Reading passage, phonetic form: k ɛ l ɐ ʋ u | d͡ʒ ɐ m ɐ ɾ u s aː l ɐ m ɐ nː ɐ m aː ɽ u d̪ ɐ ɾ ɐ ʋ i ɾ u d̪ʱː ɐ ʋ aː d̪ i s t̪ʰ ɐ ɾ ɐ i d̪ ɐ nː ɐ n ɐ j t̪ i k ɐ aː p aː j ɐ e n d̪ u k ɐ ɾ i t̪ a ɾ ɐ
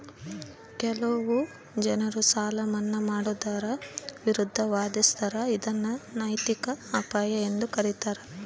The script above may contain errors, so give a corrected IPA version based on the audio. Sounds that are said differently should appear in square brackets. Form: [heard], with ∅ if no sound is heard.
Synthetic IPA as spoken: k ɛ l ɐ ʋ u | d͡ʒ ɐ [n] ɐ ɾ u s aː l ɐ m ɐ nː ɐ m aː ɽ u d̪ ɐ ɾ ɐ ʋ i ɾ u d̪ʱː ɐ ʋ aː d̪ i s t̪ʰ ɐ ɾ ɐ i d̪ ɐ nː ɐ n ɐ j t̪ i k ɐ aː p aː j ɐ e n d̪ u k ɐ ɾ i t̪ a ɾ ɐ

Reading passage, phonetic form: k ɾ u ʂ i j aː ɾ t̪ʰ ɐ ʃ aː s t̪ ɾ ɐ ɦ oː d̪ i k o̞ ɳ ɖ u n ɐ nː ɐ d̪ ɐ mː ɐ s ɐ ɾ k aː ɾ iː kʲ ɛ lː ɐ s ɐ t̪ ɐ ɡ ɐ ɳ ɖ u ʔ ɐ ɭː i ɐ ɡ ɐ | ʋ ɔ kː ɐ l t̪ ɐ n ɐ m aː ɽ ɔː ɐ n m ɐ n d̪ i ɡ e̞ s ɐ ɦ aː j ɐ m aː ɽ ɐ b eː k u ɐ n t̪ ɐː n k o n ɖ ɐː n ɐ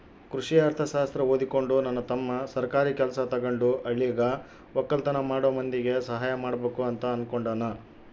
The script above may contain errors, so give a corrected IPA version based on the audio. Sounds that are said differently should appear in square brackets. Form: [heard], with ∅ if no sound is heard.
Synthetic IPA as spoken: k ɾ u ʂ i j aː ɾ t̪ʰ ɐ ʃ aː s t̪ ɾ ɐ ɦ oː d̪ i k o̞ ɳ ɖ u n ɐ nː ɐ [t̪] ɐ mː ɐ s ɐ ɾ k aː ɾ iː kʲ ɛ [l] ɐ s ɐ t̪ ɐ ɡ ɐ ɳ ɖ u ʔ ɐ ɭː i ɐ ɡ ɐ | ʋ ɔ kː ɐ l t̪ ɐ n ɐ m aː ɽ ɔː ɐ [∅] m ɐ n d̪ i ɡ e̞ s ɐ ɦ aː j ɐ m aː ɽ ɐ b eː k u ɐ n t̪ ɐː n k o [ɳ] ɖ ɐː n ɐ

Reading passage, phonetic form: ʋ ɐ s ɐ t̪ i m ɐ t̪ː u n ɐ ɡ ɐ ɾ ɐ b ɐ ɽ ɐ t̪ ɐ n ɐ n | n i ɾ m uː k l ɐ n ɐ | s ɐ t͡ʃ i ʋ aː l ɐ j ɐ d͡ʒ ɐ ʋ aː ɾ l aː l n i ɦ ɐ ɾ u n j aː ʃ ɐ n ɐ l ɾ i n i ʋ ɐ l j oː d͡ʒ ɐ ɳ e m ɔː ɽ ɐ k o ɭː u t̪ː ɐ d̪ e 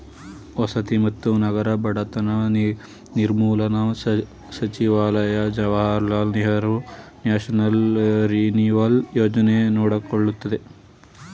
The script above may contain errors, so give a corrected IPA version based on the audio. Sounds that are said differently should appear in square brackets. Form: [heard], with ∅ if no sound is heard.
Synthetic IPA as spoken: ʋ ɐ s ɐ t̪ i m ɐ t̪ː u n ɐ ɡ ɐ ɾ ɐ b ɐ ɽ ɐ t̪ ɐ n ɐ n | n i ɾ m uː [∅] l ɐ n ɐ | s ɐ t͡ʃ i ʋ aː l ɐ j ɐ d͡ʒ ɐ ʋ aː ɾ l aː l n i ɦ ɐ ɾ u n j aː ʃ ɐ n ɐ l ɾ i n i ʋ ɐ l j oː d͡ʒ ɐ [n] e [n] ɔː ɽ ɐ k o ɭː u t̪ː ɐ d̪ e

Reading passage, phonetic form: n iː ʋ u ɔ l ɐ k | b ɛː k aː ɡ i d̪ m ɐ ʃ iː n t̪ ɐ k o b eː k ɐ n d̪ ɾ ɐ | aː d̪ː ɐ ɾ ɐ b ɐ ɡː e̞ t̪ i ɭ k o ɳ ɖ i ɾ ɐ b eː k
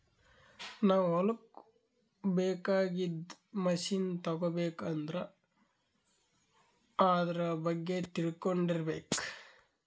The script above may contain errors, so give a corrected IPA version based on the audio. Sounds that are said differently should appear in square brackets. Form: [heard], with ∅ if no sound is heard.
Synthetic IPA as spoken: n [aː] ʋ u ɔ l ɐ k | b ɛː k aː ɡ i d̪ m ɐ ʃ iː n t̪ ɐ [ɡ] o b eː k ɐ n d̪ ɾ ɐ | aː [d̪] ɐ ɾ ɐ b ɐ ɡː e̞ t̪ i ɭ k o ɳ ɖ i ɾ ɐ b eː k

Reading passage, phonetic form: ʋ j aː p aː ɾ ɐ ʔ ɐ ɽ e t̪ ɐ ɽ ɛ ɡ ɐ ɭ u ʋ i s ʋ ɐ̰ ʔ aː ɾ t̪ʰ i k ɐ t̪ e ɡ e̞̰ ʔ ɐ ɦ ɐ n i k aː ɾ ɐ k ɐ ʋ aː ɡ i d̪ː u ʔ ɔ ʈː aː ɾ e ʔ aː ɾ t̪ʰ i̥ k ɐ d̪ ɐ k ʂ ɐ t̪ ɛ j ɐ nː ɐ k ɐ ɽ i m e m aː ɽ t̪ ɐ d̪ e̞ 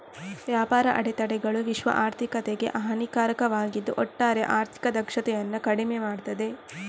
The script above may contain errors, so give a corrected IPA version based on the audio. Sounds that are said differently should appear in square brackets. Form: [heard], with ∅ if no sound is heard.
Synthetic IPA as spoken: ʋ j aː p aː ɾ ɐ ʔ ɐ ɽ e t̪ ɐ ɽ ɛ ɡ ɐ ɭ u ʋ i [ʃ] ʋ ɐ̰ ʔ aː ɾ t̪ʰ i k ɐ t̪ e ɡ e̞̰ ʔ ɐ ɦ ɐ n i k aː ɾ ɐ k ɐ ʋ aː ɡ i d̪ː u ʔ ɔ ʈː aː ɾ e ʔ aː ɾ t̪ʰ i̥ k ɐ d̪ ɐ k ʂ ɐ t̪ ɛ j ɐ nː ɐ k ɐ ɽ i m e m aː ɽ t̪ ɐ d̪ e̞

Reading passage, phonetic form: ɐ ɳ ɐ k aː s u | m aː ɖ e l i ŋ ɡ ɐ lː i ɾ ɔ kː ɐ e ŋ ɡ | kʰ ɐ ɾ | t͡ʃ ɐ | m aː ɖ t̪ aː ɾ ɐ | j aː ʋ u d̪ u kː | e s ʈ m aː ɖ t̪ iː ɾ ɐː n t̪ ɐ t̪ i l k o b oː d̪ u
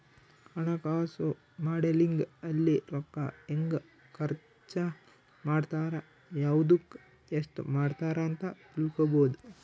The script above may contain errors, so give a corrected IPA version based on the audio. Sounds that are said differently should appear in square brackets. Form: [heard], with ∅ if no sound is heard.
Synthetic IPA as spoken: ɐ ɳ ɐ k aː s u | m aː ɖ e l i ŋ ɡ ɐ lː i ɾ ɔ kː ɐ e ŋ ɡ | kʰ ɐ ɾ | t͡ʃ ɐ | m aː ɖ t̪ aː ɾ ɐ | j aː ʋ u d̪ u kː | e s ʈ m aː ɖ t̪ [aː] ɾ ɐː n t̪ ɐ t̪ i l k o b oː d̪ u

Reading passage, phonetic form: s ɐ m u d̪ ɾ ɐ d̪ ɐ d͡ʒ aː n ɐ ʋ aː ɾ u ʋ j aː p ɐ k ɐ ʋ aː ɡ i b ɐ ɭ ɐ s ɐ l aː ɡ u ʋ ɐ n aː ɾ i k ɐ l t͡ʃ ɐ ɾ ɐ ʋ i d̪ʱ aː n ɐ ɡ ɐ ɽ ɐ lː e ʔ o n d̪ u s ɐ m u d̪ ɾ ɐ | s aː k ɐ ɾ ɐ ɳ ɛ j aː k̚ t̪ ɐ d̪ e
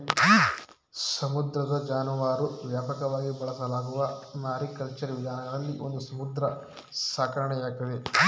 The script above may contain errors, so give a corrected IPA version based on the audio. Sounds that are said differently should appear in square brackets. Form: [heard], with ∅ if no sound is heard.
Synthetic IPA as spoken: s ɐ m u d̪ ɾ ɐ d̪ ɐ d͡ʒ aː n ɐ ʋ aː ɾ u ʋ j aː p ɐ k ɐ ʋ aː ɡ i b ɐ ɭ ɐ s ɐ l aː ɡ u ʋ ɐ n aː ɾ i k ɐ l t͡ʃ ɐ ɾ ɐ ʋ i d̪ʱ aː n ɐ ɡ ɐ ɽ ɐ lː [i] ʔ o n d̪ u s ɐ m u d̪ ɾ ɐ | s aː k ɐ ɾ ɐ ɳ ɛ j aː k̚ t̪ ɐ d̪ e

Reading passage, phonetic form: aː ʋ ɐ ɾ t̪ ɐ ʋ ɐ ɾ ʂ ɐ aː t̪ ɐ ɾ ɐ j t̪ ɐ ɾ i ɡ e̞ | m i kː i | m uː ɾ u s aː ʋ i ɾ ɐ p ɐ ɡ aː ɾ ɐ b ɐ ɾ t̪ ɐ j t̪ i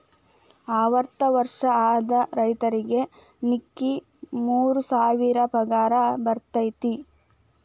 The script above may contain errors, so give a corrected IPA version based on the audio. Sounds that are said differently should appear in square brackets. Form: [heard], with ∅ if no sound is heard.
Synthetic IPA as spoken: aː ʋ ɐ ɾ t̪ ɐ ʋ ɐ ɾ ʂ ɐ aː [d̪] ɐ ɾ ɐ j t̪ ɐ ɾ i ɡ e̞ | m i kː i | m uː ɾ u s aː ʋ i ɾ ɐ p ɐ ɡ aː ɾ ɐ b ɐ ɾ t̪ ɐ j t̪ i

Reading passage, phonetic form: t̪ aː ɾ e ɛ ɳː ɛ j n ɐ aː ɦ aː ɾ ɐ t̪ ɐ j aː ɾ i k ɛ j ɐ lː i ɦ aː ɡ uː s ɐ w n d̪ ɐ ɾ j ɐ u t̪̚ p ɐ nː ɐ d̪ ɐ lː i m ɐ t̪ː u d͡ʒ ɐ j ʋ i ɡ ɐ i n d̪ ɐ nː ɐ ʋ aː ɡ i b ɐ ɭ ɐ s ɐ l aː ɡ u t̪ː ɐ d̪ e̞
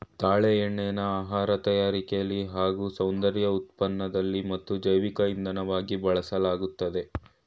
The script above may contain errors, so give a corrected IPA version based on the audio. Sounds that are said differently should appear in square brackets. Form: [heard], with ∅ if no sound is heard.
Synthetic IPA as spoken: t̪ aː [ɭ] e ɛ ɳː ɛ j n ɐ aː ɦ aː ɾ ɐ t̪ ɐ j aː ɾ i k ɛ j ɐ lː i ɦ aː ɡ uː s ɐ w n d̪ ɐ ɾ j ɐ u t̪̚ p ɐ nː ɐ d̪ ɐ lː i m ɐ t̪ː u d͡ʒ ɐ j ʋ i [k] ɐ i n d̪ ɐ [n] ɐ ʋ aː ɡ i b ɐ ɭ ɐ s ɐ l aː ɡ u t̪ː ɐ d̪ e̞

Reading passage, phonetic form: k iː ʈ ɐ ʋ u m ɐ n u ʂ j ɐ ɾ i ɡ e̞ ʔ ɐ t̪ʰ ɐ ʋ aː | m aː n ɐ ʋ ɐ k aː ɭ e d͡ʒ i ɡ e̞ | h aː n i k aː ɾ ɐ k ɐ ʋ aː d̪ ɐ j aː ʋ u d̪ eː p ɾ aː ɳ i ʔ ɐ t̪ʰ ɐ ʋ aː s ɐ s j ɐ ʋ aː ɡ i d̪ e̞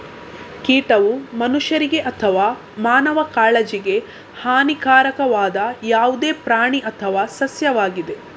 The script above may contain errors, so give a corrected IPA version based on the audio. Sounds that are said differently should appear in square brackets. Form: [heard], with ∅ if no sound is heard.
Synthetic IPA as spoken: k iː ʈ ɐ ʋ u m ɐ n u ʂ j ɐ ɾ i ɡ e̞ ʔ ɐ t̪ʰ ɐ ʋ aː | m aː n ɐ ʋ ɐ k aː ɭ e d͡ʒ i ɡ e̞ | h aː n i k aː ɾ ɐ k ɐ ʋ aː d̪ ɐ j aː ʋ u d̪ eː p ɾ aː ɳ i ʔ ɐ t̪ʰ ɐ ʋ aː s ɐ s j ɐ ʋ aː ɡ i d̪ e̞

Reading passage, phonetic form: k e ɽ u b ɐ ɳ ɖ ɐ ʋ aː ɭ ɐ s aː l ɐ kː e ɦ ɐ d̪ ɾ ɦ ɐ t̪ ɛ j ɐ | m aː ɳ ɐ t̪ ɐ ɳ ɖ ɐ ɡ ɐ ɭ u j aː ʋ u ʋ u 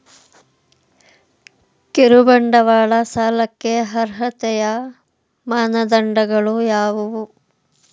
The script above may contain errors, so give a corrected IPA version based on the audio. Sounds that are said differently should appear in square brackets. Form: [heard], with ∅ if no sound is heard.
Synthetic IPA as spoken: k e [ɾ] u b ɐ ɳ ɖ ɐ ʋ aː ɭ ɐ s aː l ɐ kː e ɦ ɐ [∅] ɾ ɦ ɐ t̪ ɛ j ɐ | m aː [n] ɐ [d̪] ɐ ɳ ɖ ɐ ɡ ɐ ɭ u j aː ʋ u ʋ u

